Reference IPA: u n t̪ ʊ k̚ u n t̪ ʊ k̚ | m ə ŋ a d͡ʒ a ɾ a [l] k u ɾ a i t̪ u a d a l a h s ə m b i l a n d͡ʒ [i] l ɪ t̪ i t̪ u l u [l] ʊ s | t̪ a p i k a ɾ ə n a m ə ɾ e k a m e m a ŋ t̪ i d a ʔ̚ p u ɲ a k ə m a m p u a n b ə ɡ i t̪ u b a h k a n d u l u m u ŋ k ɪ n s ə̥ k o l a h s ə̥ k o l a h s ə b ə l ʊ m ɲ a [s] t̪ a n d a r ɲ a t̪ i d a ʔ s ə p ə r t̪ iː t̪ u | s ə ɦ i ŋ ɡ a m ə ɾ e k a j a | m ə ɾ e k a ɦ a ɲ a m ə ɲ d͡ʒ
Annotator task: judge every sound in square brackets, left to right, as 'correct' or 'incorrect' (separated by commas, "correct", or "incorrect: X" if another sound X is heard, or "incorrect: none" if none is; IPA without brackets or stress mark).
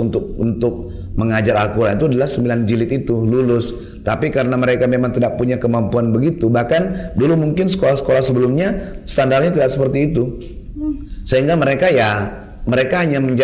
correct, correct, correct, correct